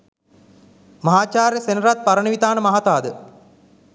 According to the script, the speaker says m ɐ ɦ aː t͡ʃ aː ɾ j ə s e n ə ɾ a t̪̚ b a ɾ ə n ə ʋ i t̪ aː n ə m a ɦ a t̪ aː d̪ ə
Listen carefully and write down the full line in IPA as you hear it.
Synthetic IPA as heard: m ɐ ɦ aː t͡ʃ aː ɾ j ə s e n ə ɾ a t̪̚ p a ɾ ə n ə ʋ i t̪ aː n ə m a ɦ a t̪ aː d̪ ə